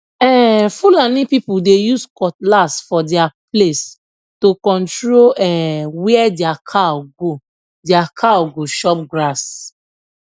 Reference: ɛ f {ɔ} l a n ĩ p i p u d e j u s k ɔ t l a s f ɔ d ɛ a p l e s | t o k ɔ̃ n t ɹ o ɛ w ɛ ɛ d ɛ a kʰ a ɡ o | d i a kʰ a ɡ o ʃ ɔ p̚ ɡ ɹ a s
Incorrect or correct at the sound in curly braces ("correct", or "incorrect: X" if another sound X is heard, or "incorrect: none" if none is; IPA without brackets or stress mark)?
incorrect: u